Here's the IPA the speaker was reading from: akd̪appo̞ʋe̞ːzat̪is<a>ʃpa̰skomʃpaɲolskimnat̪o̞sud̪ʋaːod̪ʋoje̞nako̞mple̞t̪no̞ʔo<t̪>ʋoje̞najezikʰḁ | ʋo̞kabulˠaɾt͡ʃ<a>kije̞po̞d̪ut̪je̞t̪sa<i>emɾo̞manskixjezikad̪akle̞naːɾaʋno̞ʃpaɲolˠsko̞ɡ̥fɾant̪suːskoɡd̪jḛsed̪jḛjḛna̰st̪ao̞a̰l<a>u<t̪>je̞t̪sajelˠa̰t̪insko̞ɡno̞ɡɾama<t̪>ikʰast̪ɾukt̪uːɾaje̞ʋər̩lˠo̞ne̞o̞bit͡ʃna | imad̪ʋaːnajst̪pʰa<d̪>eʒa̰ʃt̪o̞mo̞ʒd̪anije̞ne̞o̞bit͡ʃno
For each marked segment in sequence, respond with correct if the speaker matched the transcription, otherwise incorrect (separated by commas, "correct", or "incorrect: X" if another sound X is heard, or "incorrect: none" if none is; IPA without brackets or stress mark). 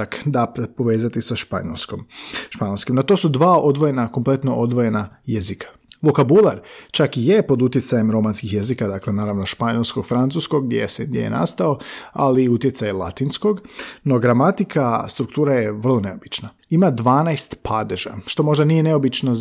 correct, incorrect: d̪, correct, incorrect: j, incorrect: i, correct, correct, correct